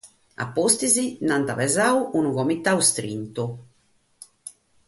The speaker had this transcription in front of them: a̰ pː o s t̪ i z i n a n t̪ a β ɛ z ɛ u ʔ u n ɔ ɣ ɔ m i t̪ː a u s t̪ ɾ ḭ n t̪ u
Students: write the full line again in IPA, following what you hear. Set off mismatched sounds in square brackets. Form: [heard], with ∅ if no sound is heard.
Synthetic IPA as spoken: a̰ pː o s t̪ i z i n a n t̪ a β ɛ z [a] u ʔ u n [u] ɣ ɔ m i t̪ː a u s t̪ ɾ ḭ n t̪ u